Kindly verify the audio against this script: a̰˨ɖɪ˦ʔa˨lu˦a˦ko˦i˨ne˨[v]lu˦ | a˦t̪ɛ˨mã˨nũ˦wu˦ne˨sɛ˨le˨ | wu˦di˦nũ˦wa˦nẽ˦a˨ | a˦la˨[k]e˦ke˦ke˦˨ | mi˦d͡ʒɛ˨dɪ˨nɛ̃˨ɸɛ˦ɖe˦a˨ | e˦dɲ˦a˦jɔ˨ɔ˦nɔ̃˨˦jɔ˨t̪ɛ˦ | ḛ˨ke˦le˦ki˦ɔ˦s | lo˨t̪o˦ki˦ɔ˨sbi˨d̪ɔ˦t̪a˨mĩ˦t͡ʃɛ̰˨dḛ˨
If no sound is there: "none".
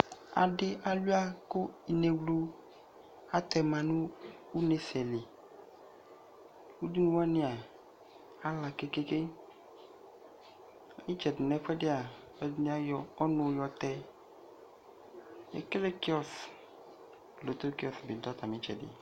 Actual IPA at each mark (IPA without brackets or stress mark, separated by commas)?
w, k